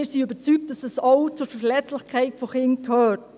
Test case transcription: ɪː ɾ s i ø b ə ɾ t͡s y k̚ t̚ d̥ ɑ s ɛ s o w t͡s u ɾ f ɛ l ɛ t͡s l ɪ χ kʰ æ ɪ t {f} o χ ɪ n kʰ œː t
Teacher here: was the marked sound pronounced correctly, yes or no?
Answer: yes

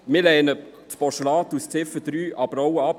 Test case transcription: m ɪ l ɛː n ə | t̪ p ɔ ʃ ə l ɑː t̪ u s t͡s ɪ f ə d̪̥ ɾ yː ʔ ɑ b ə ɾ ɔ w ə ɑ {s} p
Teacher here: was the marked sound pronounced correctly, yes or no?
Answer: no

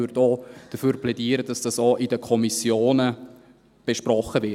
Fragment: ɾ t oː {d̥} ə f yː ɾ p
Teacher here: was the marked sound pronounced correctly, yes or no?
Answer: yes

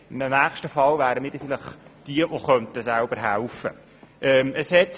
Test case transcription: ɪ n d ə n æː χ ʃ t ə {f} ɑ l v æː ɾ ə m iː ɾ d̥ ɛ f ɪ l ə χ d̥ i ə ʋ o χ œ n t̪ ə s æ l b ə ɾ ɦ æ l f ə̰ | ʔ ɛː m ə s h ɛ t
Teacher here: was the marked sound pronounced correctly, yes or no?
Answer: yes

